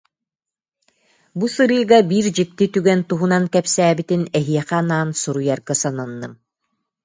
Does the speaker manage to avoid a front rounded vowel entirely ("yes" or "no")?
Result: no